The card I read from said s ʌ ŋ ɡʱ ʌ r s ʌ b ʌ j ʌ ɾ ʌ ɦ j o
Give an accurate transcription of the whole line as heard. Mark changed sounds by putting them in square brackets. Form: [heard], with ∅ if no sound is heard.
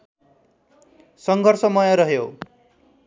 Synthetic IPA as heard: s ʌ ŋ ɡʱ ʌ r s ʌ [m] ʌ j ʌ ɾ ʌ ɦ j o